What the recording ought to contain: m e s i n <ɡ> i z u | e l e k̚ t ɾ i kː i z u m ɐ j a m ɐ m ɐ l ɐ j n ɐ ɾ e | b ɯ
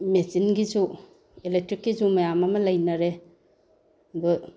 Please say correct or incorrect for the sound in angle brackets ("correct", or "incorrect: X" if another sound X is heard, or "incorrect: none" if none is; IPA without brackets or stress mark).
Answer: correct